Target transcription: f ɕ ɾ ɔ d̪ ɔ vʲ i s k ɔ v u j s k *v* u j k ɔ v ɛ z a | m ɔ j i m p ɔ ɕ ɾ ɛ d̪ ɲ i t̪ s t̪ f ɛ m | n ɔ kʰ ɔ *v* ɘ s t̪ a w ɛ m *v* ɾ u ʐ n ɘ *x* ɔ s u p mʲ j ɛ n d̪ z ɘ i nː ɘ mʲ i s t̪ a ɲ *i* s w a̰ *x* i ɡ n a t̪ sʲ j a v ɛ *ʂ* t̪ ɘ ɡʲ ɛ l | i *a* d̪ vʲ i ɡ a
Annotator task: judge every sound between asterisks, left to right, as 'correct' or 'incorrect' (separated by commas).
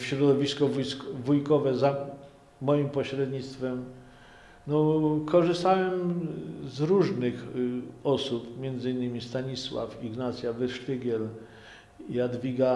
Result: correct, incorrect, incorrect, correct, correct, incorrect, correct, correct